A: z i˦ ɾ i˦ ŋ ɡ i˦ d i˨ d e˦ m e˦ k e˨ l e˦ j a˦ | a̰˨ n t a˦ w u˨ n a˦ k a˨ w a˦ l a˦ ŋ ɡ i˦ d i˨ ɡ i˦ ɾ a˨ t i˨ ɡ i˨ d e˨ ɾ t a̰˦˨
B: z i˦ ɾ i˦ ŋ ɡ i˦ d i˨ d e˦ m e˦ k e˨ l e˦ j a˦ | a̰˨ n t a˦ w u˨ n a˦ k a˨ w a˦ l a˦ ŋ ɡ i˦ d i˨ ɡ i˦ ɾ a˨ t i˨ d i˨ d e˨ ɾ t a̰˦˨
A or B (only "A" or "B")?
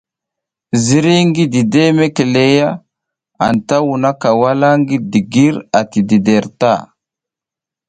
B